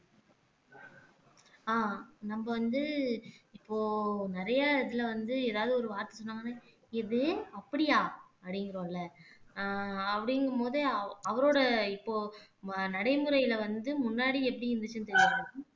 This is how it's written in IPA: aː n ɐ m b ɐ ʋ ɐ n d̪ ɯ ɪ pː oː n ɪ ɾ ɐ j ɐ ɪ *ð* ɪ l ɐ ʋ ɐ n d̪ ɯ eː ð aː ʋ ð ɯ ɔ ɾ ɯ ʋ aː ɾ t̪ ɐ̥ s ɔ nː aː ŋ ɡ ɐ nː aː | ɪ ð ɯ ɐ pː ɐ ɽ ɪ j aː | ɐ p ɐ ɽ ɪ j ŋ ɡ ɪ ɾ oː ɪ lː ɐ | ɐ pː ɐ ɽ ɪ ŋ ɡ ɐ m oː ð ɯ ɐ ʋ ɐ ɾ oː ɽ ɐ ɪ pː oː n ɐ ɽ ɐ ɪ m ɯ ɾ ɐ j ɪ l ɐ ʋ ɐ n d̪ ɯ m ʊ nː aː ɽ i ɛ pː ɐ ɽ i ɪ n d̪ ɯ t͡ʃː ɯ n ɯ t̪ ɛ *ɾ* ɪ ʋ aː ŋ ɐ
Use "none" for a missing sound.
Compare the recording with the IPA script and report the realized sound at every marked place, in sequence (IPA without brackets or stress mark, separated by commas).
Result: ð, ɾ